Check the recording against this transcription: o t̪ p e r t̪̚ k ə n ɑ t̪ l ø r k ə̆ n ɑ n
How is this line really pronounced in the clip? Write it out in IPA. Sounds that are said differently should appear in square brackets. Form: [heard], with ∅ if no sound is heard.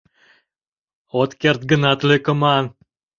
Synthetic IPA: o t̪ [k] e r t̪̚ [ɡ] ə n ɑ t̪ l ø [∅] k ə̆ [m] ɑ n

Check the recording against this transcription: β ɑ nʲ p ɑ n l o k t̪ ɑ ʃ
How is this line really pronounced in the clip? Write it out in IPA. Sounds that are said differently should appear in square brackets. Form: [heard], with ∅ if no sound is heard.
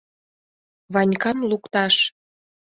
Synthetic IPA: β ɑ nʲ [k] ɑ [m] l [u] k t̪ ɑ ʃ

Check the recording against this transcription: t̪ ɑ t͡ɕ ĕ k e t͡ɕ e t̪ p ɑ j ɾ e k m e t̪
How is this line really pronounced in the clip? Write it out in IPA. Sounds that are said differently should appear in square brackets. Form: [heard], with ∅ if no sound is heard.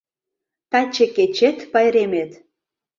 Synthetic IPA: t̪ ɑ t͡ɕ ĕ k e t͡ɕ e t̪ p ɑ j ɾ e [∅] m e t̪

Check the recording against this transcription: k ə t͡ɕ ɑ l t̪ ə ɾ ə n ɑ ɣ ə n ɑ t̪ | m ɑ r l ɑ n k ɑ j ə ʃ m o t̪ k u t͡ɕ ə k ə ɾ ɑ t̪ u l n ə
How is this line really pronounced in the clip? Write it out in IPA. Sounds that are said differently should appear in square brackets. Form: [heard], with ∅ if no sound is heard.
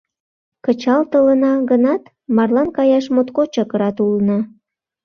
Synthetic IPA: k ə t͡ɕ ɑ l t̪ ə [l] ə n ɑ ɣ ə n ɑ t̪ | m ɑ r l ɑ n k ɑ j [ɑ] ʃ m o t̪ k [o] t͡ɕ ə k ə ɾ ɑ t̪ u l n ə

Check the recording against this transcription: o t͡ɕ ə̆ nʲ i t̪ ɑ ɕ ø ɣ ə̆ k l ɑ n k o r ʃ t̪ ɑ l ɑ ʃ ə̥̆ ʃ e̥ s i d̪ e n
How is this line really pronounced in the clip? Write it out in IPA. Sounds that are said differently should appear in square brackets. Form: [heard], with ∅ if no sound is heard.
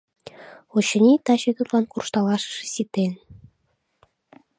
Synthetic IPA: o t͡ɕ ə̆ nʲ i t̪ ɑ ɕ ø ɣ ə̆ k l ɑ n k [u] r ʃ t̪ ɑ l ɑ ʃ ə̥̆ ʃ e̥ s i [t̪] e n

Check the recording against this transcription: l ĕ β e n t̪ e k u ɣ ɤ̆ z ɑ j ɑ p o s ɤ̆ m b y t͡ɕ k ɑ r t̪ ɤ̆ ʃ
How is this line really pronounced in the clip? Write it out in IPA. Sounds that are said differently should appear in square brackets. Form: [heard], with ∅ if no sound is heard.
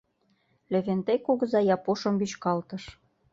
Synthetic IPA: l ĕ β e n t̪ e k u ɣ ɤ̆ z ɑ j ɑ p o [ʃ] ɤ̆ m b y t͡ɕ k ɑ [l] t̪ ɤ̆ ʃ

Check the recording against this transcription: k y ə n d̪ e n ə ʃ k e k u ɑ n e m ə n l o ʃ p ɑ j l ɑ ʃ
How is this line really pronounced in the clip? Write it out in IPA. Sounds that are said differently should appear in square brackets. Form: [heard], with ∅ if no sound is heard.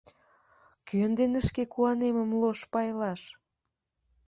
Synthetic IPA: k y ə n d̪ e n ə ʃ k e k u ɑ n e m ə [m] l o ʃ p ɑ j l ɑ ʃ

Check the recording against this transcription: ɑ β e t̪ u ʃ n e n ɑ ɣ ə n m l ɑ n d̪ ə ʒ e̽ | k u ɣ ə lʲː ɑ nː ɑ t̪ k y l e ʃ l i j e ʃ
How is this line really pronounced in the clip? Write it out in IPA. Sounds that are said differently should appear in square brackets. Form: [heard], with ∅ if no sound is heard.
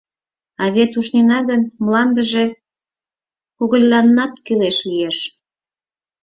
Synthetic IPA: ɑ β e t̪ u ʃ n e n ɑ ɣ ə n m l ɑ n d̪ ə ʒ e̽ | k u ɣ ə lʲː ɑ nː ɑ t̪ k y l e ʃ l i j e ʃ

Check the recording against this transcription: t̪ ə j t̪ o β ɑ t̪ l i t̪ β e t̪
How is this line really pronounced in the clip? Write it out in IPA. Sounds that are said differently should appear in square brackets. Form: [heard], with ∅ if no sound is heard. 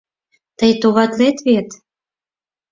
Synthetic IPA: t̪ ə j t̪ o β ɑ t̪ l [e] t̪ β e t̪

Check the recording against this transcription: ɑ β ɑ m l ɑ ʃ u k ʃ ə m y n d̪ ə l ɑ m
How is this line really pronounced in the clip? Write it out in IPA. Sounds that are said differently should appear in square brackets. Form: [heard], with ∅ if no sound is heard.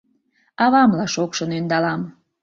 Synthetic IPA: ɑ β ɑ m l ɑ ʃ [o] k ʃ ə [n] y n d̪ [ɑ] l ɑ m

